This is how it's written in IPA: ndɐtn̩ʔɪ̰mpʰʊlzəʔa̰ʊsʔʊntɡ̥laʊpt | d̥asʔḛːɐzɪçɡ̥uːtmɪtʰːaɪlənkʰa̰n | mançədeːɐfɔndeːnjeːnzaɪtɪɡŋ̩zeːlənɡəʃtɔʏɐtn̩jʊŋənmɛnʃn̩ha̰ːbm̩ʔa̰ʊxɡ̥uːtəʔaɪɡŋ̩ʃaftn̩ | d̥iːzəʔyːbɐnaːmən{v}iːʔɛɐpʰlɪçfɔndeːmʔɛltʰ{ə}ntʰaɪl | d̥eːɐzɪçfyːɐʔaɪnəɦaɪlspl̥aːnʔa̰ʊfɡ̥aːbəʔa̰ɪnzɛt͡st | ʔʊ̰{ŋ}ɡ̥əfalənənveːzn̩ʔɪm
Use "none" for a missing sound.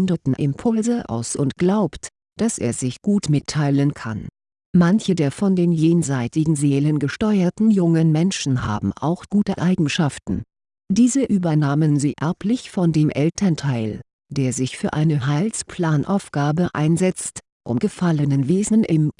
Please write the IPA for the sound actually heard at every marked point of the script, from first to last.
z, ɐ, m

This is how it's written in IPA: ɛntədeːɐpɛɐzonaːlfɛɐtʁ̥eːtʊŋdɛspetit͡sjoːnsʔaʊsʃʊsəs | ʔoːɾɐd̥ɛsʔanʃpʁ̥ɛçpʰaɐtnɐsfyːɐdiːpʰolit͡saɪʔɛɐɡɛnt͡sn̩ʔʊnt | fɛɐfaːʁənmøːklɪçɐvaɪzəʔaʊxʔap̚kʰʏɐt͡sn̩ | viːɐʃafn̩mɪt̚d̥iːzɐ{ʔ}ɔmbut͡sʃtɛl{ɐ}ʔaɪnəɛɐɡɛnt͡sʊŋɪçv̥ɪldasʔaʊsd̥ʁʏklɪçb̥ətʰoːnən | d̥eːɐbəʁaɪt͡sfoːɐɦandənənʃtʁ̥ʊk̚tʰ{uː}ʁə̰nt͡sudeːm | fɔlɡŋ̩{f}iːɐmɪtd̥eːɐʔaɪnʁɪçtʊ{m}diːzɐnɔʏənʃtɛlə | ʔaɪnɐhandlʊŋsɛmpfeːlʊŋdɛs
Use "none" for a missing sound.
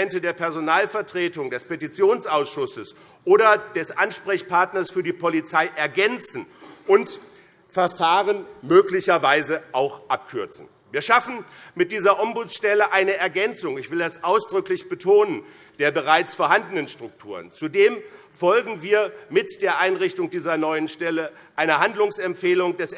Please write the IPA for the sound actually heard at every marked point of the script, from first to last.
ʔ, ə, uː, v, ŋ

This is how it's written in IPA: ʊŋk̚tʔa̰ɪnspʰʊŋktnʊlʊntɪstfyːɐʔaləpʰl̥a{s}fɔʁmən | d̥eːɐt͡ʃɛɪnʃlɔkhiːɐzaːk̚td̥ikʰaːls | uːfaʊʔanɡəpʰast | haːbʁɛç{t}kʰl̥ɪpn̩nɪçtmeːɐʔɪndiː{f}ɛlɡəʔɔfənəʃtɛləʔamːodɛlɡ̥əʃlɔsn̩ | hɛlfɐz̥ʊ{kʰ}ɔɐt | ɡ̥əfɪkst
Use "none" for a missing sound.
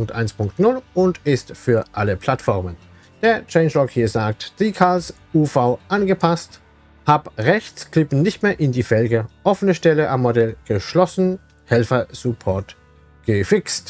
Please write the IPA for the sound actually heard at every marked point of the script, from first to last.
t, t͡s, f, pʰ

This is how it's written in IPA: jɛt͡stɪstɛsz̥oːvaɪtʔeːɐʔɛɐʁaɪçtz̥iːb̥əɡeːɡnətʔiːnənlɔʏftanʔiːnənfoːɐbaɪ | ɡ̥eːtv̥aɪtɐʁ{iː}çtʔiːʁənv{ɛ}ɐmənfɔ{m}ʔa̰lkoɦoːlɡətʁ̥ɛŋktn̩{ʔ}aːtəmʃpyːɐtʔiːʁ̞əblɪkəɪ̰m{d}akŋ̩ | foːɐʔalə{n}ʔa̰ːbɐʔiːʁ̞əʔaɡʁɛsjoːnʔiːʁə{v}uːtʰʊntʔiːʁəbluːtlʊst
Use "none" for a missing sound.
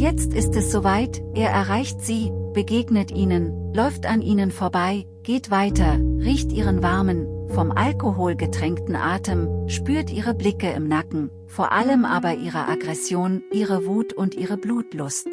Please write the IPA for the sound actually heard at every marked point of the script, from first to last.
iː, a, m, ʔ, n, m, v

